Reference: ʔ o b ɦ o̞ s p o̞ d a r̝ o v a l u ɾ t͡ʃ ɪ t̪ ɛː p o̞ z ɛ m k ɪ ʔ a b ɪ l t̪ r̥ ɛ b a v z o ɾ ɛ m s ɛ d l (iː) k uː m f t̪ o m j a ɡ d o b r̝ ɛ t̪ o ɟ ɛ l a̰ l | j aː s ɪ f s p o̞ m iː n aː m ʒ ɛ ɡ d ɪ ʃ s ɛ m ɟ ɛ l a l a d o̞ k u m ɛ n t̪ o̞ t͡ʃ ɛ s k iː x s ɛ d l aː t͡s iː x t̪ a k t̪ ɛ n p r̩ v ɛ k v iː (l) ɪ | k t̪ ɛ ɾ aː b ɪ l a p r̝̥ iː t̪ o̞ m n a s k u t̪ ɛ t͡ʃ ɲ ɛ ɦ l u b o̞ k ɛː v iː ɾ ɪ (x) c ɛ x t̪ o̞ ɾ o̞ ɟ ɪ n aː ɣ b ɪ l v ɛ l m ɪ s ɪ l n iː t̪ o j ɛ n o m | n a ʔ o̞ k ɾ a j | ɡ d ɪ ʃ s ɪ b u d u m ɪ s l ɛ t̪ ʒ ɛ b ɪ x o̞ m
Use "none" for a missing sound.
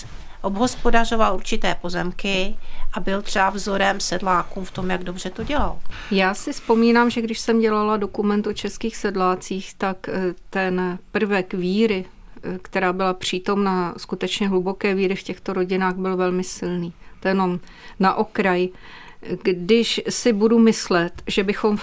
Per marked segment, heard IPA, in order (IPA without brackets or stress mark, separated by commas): aː, ɾ, f